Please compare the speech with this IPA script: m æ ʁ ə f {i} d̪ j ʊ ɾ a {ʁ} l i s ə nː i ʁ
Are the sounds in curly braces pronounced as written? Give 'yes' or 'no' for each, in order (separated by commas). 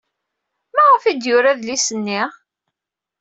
yes, no